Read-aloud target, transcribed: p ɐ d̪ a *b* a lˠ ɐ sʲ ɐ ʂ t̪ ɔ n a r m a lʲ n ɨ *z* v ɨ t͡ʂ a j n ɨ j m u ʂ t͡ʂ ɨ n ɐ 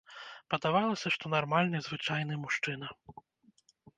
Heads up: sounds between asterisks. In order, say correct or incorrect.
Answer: incorrect, correct

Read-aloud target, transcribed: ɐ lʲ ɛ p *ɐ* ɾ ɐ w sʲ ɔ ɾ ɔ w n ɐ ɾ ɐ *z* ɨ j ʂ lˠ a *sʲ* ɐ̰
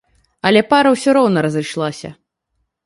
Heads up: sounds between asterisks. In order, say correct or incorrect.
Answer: incorrect, correct, correct

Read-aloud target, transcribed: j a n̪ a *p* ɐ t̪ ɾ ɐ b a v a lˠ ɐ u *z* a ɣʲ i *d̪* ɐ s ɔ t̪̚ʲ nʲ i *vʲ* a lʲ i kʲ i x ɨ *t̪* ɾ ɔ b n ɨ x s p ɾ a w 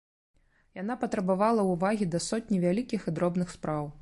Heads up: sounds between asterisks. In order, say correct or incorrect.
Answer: correct, incorrect, correct, correct, incorrect

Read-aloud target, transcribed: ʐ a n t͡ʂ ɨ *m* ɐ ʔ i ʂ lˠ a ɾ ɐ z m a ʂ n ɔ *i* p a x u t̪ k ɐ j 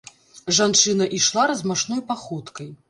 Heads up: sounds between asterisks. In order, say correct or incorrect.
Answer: incorrect, incorrect

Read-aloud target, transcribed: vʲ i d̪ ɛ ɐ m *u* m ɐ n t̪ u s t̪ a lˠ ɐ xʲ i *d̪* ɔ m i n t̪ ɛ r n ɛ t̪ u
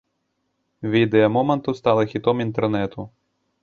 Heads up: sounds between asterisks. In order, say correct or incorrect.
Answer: incorrect, incorrect

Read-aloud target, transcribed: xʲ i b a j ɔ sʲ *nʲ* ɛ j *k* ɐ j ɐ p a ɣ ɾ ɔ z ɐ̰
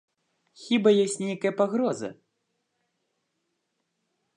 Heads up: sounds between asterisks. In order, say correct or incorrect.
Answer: correct, correct

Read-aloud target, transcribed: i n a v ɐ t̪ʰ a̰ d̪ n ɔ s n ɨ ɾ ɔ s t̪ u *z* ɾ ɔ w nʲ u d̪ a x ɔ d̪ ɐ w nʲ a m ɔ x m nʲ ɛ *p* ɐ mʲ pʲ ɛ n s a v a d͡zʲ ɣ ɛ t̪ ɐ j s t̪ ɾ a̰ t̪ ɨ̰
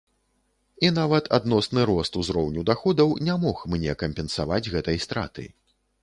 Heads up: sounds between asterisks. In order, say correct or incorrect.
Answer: correct, incorrect

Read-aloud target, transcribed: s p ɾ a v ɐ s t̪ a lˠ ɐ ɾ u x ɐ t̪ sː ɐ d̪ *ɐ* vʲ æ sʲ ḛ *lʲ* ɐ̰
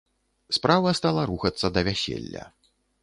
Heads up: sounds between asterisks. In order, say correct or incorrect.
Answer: correct, incorrect

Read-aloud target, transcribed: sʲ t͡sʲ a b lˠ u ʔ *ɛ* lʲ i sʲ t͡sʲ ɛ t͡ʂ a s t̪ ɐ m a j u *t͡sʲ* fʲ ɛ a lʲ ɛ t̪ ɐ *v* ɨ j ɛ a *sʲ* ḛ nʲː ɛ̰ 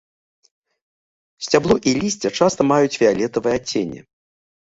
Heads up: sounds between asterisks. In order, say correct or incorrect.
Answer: incorrect, correct, correct, incorrect

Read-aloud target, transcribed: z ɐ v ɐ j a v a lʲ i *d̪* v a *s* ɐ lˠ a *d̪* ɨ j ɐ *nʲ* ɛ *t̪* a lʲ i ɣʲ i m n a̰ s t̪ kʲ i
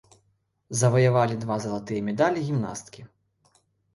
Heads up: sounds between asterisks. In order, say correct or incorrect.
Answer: correct, incorrect, incorrect, incorrect, incorrect

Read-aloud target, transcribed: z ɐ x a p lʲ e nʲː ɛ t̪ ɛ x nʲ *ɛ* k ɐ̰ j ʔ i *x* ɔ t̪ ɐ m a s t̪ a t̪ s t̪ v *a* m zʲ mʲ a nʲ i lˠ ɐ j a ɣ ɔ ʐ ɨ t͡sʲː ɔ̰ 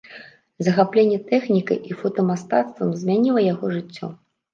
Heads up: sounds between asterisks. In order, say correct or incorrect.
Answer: incorrect, incorrect, incorrect

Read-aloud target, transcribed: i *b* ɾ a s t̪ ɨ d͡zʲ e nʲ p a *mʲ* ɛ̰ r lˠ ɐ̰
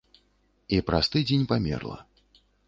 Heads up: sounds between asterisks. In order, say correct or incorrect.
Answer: incorrect, correct

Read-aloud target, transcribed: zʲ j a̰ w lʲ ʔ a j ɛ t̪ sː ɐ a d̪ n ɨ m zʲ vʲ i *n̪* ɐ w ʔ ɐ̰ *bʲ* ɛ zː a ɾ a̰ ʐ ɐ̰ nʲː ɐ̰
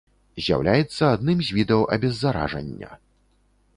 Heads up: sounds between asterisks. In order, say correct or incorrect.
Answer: incorrect, correct

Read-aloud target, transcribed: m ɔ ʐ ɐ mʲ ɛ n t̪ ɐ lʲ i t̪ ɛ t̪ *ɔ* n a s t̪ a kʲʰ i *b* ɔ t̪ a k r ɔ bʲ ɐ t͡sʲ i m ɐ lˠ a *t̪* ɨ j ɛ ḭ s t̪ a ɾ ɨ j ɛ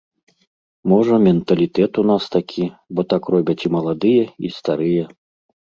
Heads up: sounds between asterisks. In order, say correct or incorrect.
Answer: incorrect, correct, incorrect

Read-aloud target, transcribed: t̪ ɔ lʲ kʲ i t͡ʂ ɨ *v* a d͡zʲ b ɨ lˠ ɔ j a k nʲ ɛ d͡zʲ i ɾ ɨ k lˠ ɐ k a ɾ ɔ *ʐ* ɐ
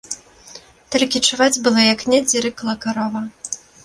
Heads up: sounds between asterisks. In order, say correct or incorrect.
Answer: correct, incorrect

